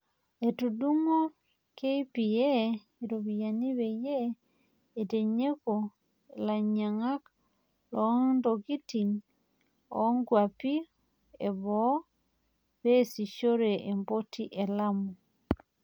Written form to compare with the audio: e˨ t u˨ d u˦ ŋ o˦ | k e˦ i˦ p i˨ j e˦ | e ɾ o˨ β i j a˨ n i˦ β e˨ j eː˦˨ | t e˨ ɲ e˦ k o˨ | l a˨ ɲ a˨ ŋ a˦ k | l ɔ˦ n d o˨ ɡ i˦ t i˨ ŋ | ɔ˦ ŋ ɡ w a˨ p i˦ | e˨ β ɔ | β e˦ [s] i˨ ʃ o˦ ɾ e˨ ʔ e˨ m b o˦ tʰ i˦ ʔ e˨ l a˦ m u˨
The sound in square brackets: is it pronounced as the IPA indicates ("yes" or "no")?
yes